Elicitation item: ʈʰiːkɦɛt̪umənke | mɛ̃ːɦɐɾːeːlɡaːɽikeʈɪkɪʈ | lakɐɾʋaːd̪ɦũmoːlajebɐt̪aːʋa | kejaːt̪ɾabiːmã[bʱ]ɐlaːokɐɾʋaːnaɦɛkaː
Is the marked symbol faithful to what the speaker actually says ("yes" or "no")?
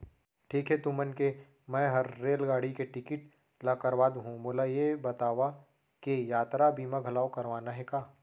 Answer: no